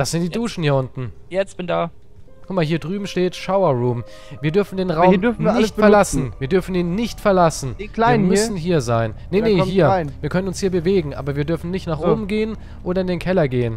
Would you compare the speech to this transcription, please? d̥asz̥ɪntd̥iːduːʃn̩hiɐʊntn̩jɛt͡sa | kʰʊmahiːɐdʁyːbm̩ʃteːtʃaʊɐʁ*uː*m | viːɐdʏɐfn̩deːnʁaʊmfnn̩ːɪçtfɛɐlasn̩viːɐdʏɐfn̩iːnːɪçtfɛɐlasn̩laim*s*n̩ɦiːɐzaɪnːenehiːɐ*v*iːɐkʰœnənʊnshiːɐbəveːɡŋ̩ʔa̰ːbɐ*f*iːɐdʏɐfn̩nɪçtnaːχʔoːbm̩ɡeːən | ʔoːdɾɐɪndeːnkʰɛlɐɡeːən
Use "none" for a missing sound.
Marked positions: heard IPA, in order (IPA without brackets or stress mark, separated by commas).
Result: uː, s, v, v